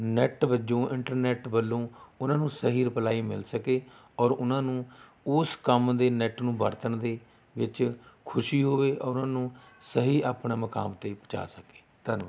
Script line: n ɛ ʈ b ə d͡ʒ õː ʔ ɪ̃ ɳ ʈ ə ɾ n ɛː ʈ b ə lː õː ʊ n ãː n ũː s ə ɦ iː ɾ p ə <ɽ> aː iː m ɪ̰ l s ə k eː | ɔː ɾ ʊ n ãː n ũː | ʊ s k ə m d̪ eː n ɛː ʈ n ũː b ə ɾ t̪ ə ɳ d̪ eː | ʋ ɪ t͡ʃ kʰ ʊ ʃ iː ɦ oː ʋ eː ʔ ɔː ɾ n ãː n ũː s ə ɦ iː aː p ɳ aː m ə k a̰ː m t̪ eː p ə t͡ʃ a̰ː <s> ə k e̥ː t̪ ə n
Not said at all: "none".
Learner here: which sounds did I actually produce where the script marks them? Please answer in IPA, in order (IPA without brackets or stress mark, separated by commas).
l, s